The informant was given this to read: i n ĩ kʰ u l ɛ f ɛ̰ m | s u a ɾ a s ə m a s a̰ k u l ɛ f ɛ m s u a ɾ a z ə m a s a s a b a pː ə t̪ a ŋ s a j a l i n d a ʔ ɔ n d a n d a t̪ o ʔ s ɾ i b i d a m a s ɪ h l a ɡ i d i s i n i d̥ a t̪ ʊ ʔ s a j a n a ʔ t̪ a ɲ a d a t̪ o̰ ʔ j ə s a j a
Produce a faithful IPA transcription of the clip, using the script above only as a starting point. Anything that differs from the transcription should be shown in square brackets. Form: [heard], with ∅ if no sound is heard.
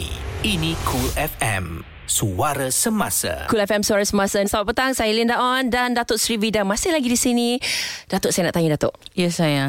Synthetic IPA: i n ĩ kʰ u l ɛ f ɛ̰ m | s u a ɾ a s ə m a s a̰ k u l ɛ f ɛ m s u a ɾ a [s] ə m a s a s a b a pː ə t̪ a ŋ s a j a l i n d a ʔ ɔ n d a n d a t̪ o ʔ s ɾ i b i d a m a s ɪ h l a ɡ i d i s i n i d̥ a t̪ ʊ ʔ s a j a n a ʔ t̪ a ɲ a d a t̪ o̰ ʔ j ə s a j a